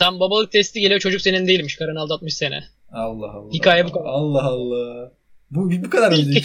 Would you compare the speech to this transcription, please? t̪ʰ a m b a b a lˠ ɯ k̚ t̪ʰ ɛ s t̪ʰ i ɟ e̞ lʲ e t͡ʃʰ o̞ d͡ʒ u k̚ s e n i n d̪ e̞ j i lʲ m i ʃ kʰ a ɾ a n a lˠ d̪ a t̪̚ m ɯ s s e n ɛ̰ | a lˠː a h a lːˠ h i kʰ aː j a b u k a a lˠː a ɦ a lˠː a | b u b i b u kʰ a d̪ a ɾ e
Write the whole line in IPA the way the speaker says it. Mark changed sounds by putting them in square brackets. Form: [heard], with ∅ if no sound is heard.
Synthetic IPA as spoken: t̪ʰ a m b a b a lˠ ɯ k̚ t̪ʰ ɛ s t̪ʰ i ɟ e̞ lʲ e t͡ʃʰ o̞ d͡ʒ u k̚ s e n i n d̪ e̞ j i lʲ m i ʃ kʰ a ɾ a n a lˠ d̪ a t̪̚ m ɯ [ʃ] s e n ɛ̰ | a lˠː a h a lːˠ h i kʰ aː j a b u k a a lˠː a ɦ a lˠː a | b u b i b u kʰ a d̪ a ɾ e